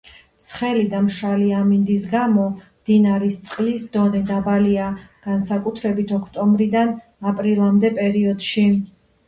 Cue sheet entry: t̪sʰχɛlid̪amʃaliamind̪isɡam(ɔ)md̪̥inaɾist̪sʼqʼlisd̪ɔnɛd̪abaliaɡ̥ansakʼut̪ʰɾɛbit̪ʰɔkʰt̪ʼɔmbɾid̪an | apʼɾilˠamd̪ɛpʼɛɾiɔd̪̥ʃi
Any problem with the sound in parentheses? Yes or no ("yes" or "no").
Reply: no